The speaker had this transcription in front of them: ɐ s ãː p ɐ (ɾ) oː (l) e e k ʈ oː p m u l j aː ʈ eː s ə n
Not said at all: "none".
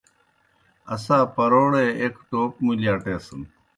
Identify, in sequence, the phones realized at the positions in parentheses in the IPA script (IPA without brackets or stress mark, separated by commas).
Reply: ɾ, ɽ